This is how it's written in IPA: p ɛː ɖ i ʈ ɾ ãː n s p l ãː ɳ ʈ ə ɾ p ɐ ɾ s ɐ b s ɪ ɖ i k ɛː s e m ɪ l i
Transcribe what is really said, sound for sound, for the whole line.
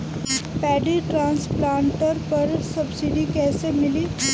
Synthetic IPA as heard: p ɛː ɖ i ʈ ɾ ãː n s p l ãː ɳ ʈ ə ɾ p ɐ ɾ s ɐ b s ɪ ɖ i k ɛː s e m ɪ l i